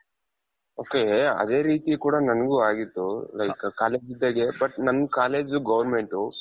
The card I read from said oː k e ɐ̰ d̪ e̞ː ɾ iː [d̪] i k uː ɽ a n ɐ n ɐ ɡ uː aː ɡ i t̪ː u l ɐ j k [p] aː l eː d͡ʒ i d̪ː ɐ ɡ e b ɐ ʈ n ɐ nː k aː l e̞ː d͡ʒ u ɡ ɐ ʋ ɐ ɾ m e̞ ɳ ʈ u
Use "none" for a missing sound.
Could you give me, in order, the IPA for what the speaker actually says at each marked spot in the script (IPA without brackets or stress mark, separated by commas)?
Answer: t̪, k